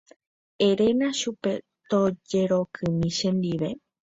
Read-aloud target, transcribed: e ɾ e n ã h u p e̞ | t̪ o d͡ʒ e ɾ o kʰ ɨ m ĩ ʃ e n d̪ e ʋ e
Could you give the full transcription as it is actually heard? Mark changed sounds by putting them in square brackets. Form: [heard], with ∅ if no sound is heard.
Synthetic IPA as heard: e ɾ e n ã [ʃ] u p e̞ | t̪ o d͡ʒ e ɾ o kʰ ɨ m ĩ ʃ e n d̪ [i] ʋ e